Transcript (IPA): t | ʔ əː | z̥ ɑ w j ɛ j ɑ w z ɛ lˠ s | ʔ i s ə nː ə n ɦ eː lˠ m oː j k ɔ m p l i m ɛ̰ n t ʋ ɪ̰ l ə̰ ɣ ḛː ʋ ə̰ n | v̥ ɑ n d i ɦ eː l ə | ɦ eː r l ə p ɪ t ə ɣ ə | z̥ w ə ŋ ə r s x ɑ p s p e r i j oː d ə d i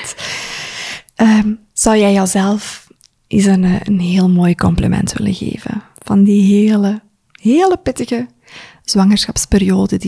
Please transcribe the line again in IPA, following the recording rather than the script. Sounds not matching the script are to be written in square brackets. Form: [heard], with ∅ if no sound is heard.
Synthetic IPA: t | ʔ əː | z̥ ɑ w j ɛ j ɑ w z ɛ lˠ [f] | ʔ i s ə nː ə n ɦ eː lˠ m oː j k ɔ m p l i m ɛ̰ n t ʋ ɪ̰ l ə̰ ɣ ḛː [v] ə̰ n | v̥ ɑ n d i ɦ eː l ə | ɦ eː [∅] l ə p ɪ t ə ɣ ə | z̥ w [ɑ] ŋ ə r s x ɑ p s p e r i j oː d ə d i